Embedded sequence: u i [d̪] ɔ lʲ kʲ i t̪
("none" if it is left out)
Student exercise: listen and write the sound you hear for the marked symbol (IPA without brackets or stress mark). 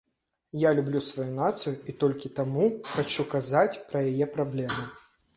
t̪